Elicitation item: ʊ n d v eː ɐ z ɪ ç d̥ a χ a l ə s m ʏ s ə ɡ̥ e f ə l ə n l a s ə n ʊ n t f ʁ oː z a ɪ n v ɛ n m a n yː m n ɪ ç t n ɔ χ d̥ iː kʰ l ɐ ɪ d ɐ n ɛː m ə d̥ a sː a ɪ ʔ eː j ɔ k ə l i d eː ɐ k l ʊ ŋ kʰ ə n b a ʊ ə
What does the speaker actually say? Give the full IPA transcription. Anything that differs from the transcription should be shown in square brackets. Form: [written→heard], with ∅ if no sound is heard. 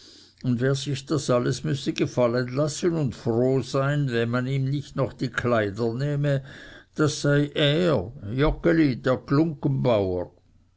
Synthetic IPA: ʊ n d v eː ɐ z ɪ ç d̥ a [χ→s] a l ə s m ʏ s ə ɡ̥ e f [ə→a] l ə n l a s ə n ʊ n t f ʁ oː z a ɪ n v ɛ n m a n [yː→iː] m n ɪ ç t n ɔ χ d̥ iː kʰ l [ɐ→a] ɪ d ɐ n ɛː m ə d̥ a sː a ɪ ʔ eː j ɔ k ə l i d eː ɐ k l ʊ ŋ [kʰ→k] ə n b a ʊ ə